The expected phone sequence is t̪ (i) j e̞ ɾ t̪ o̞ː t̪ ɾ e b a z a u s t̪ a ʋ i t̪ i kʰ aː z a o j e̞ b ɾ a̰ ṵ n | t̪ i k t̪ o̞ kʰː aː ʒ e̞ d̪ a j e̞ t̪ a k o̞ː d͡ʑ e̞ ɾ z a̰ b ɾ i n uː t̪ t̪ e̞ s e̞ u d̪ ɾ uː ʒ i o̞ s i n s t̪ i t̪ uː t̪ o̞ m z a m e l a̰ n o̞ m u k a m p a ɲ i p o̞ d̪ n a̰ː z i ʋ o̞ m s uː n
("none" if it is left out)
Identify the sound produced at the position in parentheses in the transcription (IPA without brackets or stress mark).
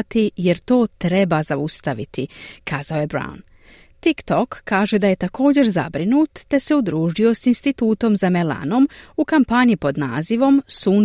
i